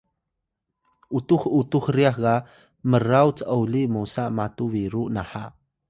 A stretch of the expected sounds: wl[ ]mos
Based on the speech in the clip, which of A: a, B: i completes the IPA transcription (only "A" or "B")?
B